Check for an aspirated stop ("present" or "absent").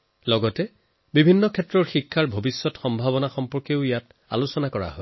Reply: present